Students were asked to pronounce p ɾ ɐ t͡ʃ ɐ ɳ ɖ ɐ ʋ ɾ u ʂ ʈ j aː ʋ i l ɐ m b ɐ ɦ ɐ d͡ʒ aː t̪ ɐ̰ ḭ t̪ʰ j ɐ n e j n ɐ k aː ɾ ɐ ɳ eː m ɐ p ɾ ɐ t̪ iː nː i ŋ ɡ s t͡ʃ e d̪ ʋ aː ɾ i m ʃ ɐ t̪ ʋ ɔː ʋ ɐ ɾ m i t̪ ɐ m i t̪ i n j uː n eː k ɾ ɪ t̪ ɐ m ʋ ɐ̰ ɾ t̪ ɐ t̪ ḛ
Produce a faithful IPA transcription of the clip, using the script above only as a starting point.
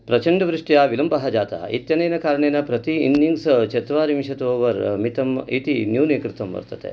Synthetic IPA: p ɾ ɐ t͡ʃ ɐ ɳ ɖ ɐ ʋ ɾ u ʂ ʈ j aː ʋ i l ɐ m b ɐ ɦ ɐ d͡ʒ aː t̪ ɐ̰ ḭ t̪ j ɐ n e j n ɐ k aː ɾ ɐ ɳ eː n ɐ p ɾ ɐ t̪ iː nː i ŋ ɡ s t͡ʃ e t̪ ʋ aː ɾ i m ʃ ɐ t̪ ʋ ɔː ʋ ɐ ɾ m i t̪ ɐ m i t̪ i n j uː n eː k ɾ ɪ t̪ ɐ m ʋ ɐ̰ ɾ t̪ ɐ t̪ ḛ